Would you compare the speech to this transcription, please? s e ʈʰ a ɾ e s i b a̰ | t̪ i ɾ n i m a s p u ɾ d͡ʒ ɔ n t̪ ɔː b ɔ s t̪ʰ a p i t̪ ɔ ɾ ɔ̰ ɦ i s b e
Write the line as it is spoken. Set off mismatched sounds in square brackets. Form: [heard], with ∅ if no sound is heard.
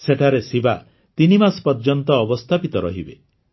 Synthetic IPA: s e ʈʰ a ɾ e s i b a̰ | t̪ i [∅] n i m a s p [ɔ] ɾ d͡ʒ ɔ n t̪ ɔː b ɔ s t̪ʰ a p i t̪ ɔ ɾ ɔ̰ ɦ i [∅] b e